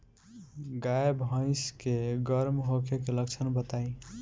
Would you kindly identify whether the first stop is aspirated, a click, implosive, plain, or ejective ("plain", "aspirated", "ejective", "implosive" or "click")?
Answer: plain